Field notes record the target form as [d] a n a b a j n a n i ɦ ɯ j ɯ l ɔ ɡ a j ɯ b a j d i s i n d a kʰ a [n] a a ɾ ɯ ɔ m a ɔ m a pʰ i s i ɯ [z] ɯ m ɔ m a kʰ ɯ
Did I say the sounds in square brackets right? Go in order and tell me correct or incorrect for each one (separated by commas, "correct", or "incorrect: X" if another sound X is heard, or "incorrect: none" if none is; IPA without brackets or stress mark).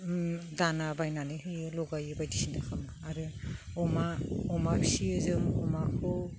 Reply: correct, incorrect: m, correct